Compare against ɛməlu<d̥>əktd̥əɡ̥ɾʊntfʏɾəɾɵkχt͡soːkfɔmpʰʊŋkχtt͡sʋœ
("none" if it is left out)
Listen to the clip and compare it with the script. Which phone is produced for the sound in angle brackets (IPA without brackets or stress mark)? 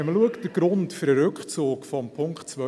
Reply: none